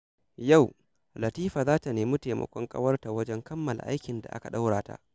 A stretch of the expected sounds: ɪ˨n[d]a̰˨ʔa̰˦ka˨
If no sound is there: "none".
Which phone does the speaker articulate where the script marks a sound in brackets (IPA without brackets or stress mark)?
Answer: d